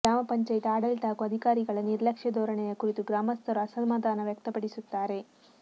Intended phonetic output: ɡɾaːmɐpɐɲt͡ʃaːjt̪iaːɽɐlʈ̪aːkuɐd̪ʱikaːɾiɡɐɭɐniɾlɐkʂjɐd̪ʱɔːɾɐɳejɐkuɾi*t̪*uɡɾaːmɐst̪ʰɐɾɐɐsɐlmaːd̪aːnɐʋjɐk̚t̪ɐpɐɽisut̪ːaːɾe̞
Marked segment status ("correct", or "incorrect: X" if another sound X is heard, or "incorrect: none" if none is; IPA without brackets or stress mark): correct